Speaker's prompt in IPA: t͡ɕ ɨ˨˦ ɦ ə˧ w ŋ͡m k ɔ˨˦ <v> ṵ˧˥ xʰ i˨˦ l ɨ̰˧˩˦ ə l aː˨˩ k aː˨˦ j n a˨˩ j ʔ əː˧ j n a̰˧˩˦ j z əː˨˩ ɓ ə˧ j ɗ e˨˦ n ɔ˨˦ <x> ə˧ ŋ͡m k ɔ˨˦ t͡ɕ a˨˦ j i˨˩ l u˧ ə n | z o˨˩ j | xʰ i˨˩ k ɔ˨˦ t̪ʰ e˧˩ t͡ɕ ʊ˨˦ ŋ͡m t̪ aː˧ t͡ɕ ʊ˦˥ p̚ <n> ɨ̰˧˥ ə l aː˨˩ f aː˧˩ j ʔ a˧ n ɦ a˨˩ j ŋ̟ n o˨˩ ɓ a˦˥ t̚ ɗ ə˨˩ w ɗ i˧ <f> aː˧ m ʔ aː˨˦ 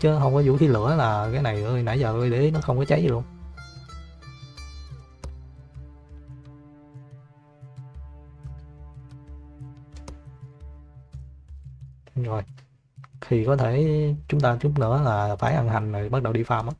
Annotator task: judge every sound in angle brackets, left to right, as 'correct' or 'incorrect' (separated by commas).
incorrect, correct, correct, correct